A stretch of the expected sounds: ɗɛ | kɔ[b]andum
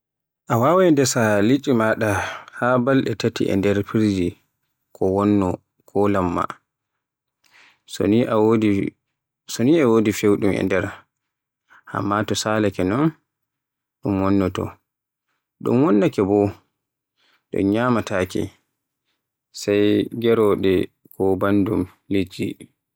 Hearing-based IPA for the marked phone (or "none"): b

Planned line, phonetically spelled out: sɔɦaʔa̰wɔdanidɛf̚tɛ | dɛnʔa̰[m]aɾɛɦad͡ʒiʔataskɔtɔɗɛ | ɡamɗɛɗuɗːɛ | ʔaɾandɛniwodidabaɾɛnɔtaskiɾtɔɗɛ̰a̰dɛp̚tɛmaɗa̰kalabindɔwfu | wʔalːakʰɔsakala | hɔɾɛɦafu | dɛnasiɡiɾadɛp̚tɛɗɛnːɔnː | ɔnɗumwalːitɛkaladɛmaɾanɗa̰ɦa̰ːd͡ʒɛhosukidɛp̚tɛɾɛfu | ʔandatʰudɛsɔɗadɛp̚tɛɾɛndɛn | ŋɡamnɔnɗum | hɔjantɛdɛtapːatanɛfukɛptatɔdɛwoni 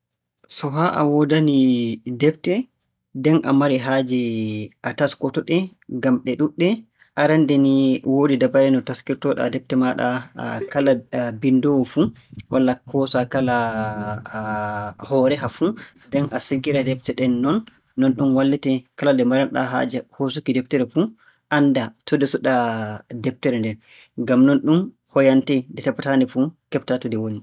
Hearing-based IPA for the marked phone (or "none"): m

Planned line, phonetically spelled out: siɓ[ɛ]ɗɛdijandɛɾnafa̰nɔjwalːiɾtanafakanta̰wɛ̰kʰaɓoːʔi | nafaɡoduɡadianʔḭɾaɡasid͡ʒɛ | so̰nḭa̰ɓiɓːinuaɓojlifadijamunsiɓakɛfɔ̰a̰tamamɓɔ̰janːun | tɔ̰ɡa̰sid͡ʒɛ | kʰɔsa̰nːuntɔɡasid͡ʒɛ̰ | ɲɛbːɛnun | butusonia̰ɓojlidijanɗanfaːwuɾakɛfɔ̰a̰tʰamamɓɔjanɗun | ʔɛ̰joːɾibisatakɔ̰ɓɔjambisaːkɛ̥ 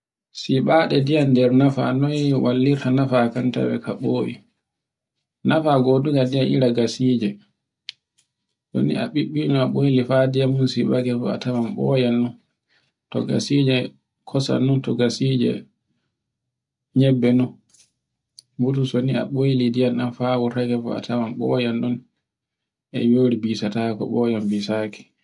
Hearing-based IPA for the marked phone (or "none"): a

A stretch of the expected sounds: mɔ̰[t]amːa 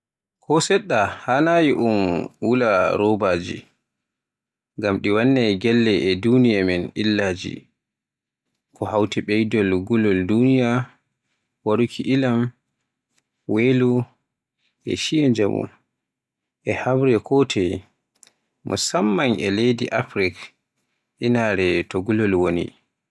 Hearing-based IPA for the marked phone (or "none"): s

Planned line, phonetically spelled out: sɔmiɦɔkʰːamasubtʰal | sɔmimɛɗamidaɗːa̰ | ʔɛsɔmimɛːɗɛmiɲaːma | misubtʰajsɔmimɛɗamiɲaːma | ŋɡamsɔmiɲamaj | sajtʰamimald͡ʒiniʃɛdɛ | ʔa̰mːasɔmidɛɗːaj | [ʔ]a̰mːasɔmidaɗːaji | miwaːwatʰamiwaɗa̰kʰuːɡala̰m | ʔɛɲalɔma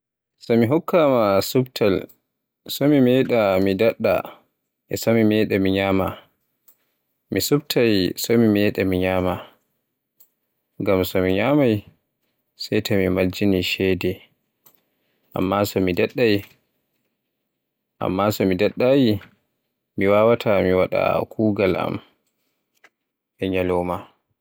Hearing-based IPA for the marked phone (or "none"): ʔ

